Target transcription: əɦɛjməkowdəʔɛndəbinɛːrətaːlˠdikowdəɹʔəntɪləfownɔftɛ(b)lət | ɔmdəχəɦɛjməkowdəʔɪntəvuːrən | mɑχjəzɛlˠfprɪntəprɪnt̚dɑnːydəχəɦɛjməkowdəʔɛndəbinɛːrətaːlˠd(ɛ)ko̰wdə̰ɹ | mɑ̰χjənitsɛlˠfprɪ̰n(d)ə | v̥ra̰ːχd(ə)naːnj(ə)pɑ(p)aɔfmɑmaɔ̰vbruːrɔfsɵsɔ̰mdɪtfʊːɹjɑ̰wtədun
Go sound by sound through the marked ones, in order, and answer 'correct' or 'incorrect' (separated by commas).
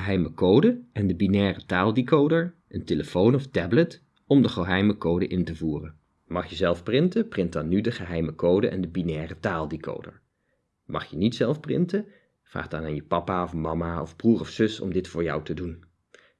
correct, incorrect, incorrect, incorrect, correct, correct